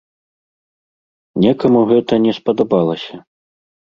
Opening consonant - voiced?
yes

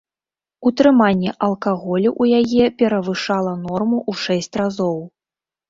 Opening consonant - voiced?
no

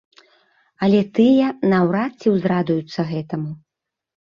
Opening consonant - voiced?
yes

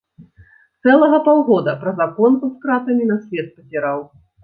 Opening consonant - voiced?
no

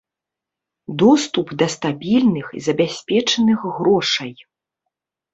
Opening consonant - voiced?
yes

